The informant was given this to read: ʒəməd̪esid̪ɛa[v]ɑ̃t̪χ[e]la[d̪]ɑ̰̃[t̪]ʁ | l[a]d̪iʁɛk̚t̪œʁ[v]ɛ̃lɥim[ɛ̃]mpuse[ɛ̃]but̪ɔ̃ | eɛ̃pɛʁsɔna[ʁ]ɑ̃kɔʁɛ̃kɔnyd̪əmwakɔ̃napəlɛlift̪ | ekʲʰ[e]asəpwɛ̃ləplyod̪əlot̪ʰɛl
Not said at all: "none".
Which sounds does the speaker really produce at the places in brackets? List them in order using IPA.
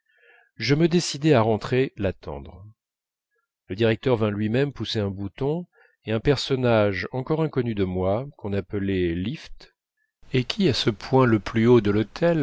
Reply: ʁ, e, t̪, d̪, ə, v, ɛ, ɛ̃, ʒ, i

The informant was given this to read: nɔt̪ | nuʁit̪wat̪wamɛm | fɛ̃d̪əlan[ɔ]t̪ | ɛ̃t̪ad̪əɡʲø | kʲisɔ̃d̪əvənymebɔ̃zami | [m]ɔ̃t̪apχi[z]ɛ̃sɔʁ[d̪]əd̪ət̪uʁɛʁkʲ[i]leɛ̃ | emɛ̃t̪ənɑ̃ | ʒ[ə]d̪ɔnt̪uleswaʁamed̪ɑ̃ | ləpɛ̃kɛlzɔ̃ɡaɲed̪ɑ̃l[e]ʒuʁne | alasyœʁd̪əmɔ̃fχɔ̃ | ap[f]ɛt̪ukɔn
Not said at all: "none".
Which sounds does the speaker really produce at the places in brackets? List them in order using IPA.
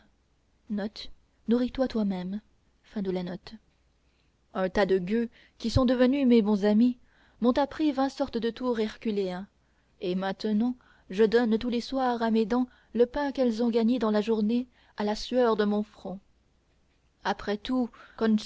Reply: ɔ, m, v, t̪, y, ə, a, χ

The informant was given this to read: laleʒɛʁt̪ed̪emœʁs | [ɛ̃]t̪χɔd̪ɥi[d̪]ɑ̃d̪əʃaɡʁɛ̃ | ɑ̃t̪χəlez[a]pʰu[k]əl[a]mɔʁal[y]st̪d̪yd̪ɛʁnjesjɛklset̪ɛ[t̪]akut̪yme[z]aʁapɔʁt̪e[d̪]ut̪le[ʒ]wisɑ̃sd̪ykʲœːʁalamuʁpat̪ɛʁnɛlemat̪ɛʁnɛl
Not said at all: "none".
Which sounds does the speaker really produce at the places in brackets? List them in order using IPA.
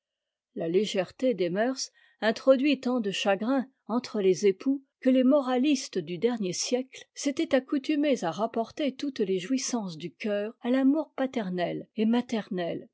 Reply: ɛ̃, t̪, e, k, e, i, t̪, z, t̪, ʒ

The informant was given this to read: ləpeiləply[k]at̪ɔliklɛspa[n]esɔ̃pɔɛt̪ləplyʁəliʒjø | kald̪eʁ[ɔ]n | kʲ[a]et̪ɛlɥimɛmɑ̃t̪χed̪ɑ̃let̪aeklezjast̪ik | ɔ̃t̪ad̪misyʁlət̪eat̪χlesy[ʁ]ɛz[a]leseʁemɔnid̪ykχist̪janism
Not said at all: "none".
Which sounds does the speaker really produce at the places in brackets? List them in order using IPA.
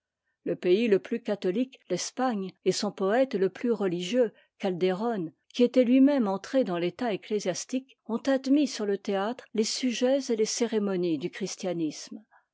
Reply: k, ɲ, ɔ, i, ʒ, e

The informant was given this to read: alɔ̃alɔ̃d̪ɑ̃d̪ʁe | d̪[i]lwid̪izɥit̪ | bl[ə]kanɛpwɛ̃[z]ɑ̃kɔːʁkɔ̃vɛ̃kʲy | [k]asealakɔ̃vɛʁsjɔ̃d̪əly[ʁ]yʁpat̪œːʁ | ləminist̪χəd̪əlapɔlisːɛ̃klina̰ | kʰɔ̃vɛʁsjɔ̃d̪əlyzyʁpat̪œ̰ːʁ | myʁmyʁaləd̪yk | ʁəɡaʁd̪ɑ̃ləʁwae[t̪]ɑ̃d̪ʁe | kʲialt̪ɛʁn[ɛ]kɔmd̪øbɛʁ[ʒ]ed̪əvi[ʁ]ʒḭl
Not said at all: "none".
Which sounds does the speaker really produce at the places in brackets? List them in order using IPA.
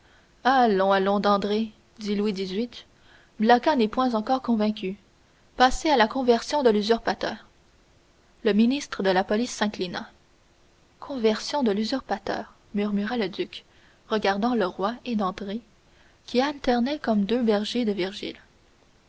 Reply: i, a, z, p, z, d̪, ɛ, ʒ, ʁ

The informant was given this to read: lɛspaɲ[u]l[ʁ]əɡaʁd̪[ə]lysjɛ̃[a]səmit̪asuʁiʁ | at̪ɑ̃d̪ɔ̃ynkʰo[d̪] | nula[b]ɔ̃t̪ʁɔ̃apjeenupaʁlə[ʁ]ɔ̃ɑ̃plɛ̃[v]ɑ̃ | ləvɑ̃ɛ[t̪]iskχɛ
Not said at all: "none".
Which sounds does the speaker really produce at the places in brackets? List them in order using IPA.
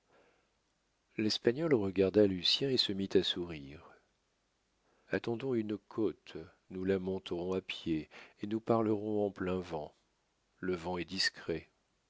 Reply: ɔ, ʁ, a, e, t̪, m, ʁ, v, d̪

